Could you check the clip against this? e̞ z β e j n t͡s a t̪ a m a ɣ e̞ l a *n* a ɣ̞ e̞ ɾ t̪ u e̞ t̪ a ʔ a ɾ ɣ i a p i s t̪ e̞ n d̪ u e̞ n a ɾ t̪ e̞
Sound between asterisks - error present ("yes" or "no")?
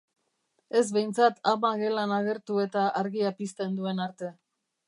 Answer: no